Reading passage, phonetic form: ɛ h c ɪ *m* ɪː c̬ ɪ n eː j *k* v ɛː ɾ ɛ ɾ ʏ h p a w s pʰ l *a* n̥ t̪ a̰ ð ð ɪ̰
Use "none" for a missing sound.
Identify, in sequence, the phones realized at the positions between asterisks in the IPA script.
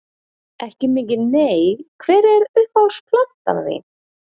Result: m, kʰ, a

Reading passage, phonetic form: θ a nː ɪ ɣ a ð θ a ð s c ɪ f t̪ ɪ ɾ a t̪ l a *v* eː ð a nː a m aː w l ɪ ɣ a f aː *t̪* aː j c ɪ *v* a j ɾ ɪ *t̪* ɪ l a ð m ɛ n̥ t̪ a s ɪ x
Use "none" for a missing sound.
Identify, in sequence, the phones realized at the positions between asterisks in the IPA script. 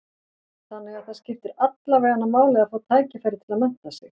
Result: v, t̪ʰ, f, t̪ʰ

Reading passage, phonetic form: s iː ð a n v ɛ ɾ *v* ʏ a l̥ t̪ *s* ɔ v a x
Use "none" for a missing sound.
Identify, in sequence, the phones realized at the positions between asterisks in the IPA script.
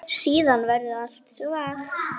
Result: ð, s

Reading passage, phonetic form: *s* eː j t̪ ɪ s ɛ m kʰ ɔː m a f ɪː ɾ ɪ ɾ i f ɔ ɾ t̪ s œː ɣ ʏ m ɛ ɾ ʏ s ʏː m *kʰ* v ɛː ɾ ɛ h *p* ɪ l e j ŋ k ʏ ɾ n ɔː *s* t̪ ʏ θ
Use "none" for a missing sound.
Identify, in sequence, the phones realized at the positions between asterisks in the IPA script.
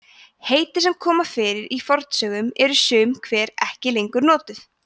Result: h, kʰ, c, none

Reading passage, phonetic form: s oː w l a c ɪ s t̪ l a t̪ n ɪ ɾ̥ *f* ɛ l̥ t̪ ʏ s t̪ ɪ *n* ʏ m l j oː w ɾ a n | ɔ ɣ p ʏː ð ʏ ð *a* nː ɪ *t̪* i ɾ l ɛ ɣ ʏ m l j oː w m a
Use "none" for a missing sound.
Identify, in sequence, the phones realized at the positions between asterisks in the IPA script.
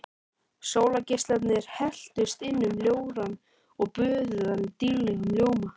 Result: h, nː, a, t̪

